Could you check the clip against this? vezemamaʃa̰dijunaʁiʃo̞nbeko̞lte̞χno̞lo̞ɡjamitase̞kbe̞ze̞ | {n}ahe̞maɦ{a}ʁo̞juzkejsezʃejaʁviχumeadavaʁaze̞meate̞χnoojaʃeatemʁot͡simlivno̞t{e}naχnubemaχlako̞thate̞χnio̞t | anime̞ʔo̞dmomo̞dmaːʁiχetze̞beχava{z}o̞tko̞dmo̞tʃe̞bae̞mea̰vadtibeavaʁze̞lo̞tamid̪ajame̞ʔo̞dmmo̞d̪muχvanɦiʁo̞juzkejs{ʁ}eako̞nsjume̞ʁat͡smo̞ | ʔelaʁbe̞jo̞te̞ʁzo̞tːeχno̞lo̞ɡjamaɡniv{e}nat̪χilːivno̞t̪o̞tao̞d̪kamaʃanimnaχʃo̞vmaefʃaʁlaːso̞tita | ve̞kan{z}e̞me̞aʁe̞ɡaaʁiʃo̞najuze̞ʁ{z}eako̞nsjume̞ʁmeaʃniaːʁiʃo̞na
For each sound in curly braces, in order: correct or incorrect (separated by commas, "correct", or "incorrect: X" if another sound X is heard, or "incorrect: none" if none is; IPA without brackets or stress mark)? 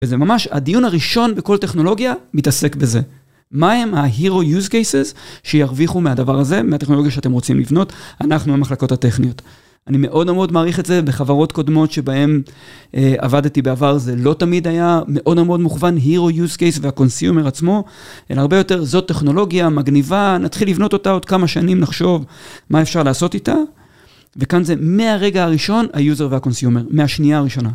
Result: incorrect: m, incorrect: i, incorrect: a, incorrect: ʁ, incorrect: v, incorrect: a, correct, incorrect: v